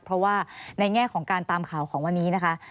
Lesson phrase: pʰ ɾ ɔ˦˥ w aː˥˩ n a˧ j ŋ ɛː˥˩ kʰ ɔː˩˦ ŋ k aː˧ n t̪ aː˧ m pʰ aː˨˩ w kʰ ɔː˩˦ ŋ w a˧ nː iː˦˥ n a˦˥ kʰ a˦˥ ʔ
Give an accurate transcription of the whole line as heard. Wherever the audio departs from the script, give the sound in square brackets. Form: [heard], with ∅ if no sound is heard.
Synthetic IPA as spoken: pʰ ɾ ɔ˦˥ w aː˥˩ n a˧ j ŋ ɛː˥˩ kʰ ɔː˩˦ ŋ k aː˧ n t̪ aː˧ m [kʰ] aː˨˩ w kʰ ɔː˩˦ ŋ w a˧ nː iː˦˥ n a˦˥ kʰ a˦˥ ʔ